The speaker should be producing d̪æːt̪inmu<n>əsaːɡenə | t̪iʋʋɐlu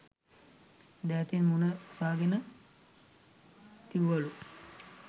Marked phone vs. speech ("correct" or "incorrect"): correct